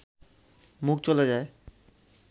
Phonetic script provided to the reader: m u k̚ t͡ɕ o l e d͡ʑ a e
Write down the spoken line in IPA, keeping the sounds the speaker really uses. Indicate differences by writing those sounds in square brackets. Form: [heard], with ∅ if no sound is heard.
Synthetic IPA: m u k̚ t͡ɕ o l e d͡ʑ a e

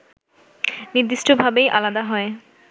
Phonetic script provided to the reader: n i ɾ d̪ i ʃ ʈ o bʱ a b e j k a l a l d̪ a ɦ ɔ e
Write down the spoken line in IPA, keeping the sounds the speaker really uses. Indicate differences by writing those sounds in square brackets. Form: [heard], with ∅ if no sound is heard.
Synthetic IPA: n i ɾ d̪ i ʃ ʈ o bʱ a b e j [ʔ] a l a [∅] d̪ a ɦ ɔ e

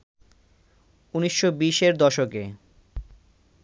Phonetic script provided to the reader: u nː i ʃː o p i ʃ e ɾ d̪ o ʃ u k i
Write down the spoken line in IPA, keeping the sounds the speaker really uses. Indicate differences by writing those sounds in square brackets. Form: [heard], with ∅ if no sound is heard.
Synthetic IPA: u [n] i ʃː o [b] i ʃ e ɾ d̪ [ɔ] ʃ [o] k [e]

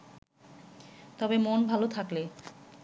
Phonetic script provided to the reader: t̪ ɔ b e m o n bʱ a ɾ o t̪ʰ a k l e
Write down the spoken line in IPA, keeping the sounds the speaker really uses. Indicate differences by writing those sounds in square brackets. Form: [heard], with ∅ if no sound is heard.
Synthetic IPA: t̪ ɔ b e m o n bʱ a [l] o t̪ʰ a k l e

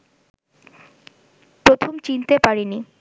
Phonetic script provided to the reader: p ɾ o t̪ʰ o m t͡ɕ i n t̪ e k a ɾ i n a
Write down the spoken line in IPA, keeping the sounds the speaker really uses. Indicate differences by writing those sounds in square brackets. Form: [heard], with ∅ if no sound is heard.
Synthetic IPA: p ɾ o t̪ʰ o m t͡ɕ i n t̪ e [p] a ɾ i n [i]

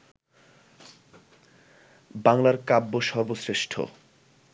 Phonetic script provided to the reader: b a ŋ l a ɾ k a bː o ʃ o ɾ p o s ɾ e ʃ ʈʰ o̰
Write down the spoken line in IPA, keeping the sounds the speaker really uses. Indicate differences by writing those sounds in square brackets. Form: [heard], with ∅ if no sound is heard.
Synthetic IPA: b a ŋ l a ɾ k a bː o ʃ [ɔ] ɾ [b] o s ɾ e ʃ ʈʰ o̰

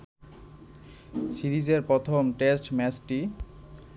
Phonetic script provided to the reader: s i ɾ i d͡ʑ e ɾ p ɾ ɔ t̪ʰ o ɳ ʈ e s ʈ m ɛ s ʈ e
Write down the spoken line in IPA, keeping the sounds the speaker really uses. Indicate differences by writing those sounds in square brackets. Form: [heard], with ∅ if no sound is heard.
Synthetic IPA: s i ɾ i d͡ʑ e ɾ p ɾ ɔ t̪ʰ o [m] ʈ e s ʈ m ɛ s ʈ [i]

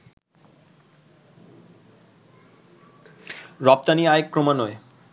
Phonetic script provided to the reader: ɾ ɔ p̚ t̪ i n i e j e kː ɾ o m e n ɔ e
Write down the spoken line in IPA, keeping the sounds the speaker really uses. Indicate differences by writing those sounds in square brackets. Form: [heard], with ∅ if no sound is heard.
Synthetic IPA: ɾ ɔ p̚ t̪ [a] n i [a] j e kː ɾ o m [a] n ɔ e

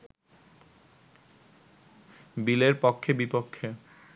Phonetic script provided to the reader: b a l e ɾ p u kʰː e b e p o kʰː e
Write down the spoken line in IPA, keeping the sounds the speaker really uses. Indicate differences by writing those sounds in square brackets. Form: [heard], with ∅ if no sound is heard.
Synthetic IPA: b [i] l e ɾ p [o] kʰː e b [i] p o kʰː e

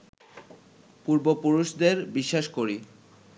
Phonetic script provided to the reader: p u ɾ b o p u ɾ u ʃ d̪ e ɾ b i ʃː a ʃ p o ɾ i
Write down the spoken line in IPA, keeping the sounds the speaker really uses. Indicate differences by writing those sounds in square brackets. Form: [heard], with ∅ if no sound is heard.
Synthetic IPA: p u ɾ b o p u ɾ u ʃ d̪ e ɾ b i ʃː a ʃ [k] o ɾ i

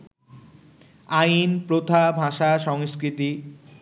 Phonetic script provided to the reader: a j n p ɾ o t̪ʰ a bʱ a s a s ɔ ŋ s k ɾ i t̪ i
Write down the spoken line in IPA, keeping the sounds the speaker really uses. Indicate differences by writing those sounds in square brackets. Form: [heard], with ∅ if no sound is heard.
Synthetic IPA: a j n p ɾ o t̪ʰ a bʱ a [ʃ] a [ʃ] ɔ ŋ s k ɾ i t̪ i

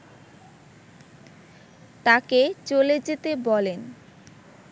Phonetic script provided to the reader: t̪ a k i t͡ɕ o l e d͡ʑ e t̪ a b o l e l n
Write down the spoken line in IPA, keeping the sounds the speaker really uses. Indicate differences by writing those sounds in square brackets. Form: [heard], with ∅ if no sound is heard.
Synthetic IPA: t̪ a k [e] t͡ɕ o l e d͡ʑ e t̪ [e] b [ɔ] l e [∅] n

